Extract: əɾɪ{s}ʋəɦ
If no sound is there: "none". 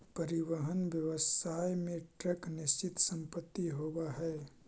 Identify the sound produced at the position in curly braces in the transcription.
none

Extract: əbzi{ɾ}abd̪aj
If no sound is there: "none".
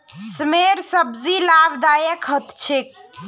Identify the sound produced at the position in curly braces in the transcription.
l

